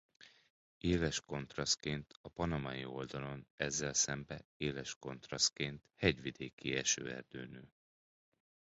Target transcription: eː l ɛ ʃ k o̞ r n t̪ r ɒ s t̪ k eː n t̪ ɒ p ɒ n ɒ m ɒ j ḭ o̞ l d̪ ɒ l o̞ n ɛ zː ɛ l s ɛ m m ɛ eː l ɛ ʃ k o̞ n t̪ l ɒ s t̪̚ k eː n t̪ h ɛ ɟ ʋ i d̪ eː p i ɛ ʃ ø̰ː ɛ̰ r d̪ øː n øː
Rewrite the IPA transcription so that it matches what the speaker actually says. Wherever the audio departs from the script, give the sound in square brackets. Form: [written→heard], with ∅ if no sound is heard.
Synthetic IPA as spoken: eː l ɛ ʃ k o̞ [r→∅] n t̪ r ɒ s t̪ k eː n t̪ ɒ p ɒ n ɒ m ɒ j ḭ o̞ l d̪ ɒ l o̞ n ɛ zː ɛ l s ɛ m [m→b] ɛ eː l ɛ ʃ k o̞ n t̪ [l→r] ɒ s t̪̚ k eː n t̪ h ɛ ɟ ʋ i d̪ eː [p→k] i ɛ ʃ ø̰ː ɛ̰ r d̪ øː n øː

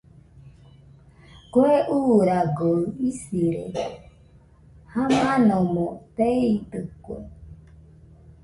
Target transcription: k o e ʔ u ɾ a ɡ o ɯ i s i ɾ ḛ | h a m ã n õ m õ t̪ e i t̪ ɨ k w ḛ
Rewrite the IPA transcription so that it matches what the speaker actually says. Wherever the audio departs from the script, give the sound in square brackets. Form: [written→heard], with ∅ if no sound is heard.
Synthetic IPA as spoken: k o e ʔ u ɾ a ɡ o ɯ i s i ɾ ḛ | h a m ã n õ m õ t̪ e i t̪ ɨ k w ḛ

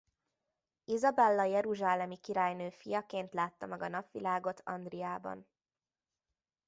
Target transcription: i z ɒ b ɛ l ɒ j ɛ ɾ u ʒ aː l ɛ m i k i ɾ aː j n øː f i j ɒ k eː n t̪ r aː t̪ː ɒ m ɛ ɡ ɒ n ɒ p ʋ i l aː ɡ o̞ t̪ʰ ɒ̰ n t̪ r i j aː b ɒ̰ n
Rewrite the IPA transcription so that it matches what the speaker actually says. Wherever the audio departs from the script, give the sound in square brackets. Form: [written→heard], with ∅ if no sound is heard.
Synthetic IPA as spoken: i z ɒ b ɛ [l→lː] ɒ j ɛ ɾ u ʒ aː l ɛ m i k i ɾ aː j n øː f i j ɒ k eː n t̪ [r→l] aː t̪ː ɒ m ɛ ɡ ɒ n ɒ p ʋ i l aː ɡ o̞ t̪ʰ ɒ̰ n [t̪→d̪] r i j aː b ɒ̰ n

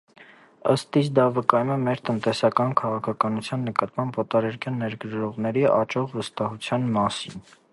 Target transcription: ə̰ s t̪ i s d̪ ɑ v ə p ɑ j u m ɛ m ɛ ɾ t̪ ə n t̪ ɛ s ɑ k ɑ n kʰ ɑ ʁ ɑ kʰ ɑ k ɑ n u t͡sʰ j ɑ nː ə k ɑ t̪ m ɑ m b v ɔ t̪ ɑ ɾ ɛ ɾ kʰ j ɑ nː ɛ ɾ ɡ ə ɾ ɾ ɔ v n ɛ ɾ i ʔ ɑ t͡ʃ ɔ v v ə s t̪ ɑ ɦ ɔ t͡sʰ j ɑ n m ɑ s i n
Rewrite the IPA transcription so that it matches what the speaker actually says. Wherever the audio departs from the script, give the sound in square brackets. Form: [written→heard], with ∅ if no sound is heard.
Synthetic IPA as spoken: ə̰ s t̪ i s d̪ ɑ v ə [p→k] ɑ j u m ɛ m ɛ ɾ t̪ ə n t̪ ɛ s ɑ k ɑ n kʰ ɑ ʁ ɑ kʰ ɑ k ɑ n u t͡sʰ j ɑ nː ə k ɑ t̪ m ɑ m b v ɔ t̪ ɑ ɾ ɛ ɾ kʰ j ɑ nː ɛ ɾ ɡ ə ɾ ɾ ɔ [v→ʁ] n ɛ ɾ i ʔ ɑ t͡ʃ ɔ [v→ʁ] v ə s t̪ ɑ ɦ [ɔ→u] t͡sʰ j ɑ n m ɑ s i n

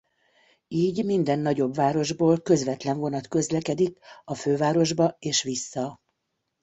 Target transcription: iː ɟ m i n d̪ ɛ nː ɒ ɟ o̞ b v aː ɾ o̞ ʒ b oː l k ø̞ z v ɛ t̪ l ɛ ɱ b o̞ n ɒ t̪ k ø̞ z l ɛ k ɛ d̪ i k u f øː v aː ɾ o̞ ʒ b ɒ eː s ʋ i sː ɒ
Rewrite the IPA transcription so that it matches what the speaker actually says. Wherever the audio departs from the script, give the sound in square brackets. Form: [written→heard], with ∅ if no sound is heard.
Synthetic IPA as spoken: iː ɟ m i n d̪ ɛ nː ɒ ɟ o̞ b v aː ɾ o̞ ʒ b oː l k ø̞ z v ɛ t̪ l ɛ ɱ [b→v] o̞ n ɒ t̪ k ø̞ z l ɛ k ɛ d̪ i k [u→ɒ] f øː v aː ɾ o̞ ʒ b ɒ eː [s→ʃ] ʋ i sː ɒ

